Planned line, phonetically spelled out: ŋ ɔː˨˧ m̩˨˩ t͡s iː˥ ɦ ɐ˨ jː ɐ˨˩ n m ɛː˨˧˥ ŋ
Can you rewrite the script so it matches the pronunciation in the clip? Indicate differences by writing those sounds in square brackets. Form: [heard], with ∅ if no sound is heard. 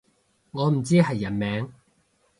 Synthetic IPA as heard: ŋ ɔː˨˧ m̩˨˩ t͡s iː˥ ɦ ɐ˨ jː ɐ˨˩ n m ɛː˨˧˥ ŋ